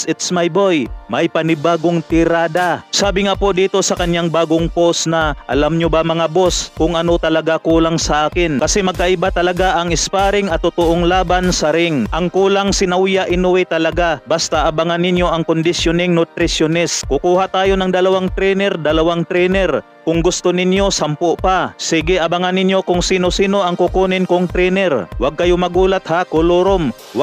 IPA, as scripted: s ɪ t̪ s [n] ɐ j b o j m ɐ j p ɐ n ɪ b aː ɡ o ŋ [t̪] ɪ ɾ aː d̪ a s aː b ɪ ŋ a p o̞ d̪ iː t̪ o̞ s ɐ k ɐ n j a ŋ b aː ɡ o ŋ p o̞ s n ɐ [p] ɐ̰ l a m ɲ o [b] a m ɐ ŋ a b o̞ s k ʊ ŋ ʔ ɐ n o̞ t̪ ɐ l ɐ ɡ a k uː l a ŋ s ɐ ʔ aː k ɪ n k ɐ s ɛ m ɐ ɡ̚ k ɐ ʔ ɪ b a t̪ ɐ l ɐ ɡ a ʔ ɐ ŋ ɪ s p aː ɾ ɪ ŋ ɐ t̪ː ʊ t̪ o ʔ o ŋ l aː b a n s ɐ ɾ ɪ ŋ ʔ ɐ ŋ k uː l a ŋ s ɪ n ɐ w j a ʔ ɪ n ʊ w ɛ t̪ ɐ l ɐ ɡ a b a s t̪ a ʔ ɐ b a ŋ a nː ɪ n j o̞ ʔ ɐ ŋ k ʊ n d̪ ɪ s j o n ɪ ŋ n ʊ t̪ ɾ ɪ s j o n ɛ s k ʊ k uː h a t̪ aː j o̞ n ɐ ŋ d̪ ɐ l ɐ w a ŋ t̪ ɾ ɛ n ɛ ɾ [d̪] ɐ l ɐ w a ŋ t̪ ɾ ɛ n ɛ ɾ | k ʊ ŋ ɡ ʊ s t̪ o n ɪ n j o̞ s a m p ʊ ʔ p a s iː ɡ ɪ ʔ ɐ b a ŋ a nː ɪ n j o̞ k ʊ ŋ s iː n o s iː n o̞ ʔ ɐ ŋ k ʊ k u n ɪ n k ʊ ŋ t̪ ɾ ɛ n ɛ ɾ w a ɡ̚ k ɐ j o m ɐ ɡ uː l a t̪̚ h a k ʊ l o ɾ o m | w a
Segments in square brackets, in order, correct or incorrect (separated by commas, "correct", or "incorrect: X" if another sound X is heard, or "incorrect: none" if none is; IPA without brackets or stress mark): incorrect: m, correct, incorrect: ʔ, correct, correct